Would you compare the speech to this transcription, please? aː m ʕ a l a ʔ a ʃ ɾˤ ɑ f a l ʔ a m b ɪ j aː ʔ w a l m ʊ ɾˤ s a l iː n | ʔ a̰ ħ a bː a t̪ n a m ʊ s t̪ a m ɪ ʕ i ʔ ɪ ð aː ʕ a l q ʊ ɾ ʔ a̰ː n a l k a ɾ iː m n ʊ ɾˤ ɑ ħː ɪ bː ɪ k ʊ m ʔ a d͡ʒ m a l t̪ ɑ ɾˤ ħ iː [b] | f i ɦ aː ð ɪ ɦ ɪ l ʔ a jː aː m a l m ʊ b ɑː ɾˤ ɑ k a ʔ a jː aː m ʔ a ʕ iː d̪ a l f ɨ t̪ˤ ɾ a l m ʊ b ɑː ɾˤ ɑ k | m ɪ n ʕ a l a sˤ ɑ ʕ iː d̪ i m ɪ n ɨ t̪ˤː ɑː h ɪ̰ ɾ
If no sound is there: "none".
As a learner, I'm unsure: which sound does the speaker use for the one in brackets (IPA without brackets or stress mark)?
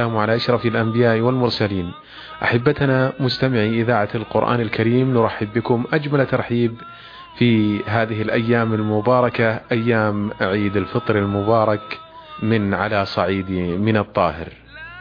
b